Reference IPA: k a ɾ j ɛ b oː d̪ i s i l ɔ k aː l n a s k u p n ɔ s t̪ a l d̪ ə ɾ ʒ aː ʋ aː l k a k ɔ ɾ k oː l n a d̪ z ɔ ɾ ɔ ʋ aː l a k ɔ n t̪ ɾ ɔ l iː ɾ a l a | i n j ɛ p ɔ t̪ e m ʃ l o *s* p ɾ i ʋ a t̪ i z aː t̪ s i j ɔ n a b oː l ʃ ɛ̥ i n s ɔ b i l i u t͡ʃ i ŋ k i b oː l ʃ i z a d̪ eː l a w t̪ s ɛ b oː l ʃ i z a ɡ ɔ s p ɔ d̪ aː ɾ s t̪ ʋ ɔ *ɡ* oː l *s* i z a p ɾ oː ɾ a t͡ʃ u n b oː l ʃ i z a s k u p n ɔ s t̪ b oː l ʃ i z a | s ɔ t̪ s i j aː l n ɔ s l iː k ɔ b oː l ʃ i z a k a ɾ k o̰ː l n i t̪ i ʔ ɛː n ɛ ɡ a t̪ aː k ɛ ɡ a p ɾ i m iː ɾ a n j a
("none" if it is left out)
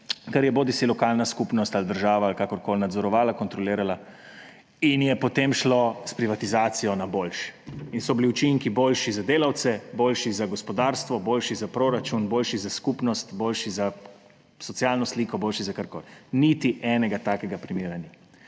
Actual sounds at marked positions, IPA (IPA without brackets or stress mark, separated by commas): s, b, ʃ